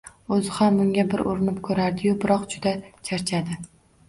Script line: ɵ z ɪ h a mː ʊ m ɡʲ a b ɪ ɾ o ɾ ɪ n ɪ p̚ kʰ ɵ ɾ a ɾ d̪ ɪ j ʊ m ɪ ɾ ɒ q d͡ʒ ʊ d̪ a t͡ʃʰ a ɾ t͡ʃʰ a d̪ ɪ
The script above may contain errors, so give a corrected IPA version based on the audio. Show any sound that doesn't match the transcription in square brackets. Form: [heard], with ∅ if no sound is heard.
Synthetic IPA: ɵ z ɪ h a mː ʊ [ŋ] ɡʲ a b ɪ ɾ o ɾ ɪ n ɪ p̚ kʰ ɵ ɾ a ɾ d̪ ɪ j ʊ [b] ɪ ɾ ɒ q d͡ʒ ʊ d̪ a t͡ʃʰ a ɾ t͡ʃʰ a d̪ ɪ